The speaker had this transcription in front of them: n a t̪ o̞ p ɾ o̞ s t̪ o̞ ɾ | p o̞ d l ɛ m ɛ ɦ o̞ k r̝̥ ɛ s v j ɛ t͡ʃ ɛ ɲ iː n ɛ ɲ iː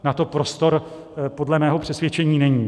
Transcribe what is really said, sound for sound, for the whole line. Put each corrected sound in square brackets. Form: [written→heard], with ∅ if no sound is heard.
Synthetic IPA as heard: n a t̪ o̞ p ɾ o̞ s t̪ o̞ ɾ | p o̞ d l ɛ m [ɛ→ɛː] ɦ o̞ [k→p] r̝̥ ɛ s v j ɛ t͡ʃ ɛ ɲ iː n ɛ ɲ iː